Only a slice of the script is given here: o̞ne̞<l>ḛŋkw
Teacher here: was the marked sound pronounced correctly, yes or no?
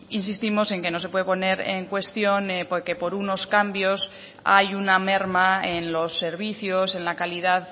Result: no